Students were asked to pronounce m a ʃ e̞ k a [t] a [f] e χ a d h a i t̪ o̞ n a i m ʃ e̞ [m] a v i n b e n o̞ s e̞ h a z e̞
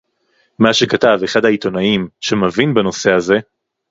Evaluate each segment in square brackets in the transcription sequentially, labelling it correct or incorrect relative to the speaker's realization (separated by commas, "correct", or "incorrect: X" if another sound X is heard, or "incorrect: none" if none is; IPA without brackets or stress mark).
correct, incorrect: v, correct